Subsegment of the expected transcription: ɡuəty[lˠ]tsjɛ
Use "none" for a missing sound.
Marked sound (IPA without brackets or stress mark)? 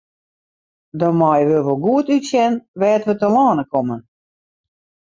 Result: none